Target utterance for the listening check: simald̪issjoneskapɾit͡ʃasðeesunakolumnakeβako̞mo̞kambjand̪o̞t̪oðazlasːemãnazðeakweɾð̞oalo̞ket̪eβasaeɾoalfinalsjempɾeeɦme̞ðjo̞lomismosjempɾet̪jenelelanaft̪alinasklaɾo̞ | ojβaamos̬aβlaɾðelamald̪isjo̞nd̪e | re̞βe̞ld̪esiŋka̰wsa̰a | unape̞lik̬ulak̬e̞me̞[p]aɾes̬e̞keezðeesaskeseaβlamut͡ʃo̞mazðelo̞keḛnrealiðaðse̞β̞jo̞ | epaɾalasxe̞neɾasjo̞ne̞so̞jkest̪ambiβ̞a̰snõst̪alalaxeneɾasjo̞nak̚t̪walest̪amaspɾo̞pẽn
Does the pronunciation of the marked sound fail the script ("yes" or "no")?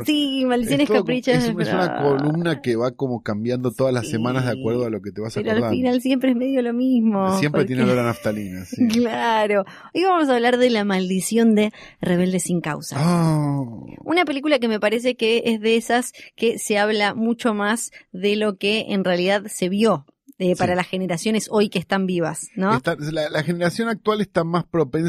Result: no